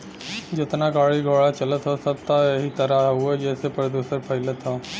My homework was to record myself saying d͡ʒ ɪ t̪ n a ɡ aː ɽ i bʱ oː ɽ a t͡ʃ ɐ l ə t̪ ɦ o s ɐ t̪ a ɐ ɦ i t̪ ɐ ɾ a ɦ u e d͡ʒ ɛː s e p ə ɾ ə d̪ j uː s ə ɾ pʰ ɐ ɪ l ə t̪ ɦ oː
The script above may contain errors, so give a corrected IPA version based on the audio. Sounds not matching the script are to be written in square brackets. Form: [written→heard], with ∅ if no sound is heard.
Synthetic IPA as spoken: d͡ʒ ɪ t̪ n a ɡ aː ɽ i [bʱ→ɡʱ] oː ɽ a t͡ʃ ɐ l ə t̪ ɦ o s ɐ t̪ a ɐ ɦ i t̪ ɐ ɾ a ɦ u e d͡ʒ ɛː s e p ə ɾ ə d̪ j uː s ə ɾ pʰ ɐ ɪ l ə t̪ ɦ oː